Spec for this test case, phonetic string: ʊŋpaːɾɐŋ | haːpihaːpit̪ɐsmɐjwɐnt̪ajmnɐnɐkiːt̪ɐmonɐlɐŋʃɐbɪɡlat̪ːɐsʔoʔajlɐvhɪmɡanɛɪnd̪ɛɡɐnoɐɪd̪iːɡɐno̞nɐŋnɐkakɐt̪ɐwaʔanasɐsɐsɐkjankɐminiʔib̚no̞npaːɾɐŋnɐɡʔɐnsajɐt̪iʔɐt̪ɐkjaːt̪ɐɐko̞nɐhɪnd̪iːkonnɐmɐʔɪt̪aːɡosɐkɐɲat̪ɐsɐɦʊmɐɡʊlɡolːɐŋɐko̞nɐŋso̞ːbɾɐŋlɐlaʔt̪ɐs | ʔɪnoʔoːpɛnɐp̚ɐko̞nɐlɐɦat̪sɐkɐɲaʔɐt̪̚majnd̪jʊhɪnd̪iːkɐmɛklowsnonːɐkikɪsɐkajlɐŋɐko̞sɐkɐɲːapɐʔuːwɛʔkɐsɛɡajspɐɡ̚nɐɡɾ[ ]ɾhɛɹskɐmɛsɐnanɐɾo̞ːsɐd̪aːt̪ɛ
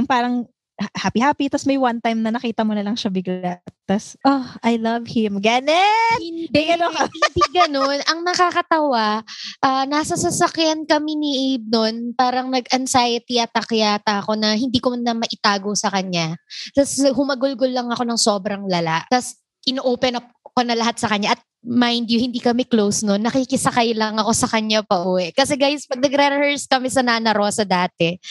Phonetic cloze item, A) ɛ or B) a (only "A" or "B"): A